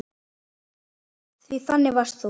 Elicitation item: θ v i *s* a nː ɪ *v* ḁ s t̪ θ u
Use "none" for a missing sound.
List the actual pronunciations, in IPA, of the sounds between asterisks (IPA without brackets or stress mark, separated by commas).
θ, v